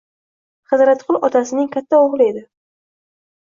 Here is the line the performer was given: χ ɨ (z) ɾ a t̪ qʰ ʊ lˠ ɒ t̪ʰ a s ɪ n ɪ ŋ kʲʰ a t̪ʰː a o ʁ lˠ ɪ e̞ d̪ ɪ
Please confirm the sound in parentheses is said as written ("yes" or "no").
yes